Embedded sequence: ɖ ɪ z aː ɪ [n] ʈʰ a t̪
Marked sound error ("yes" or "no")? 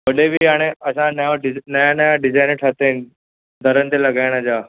no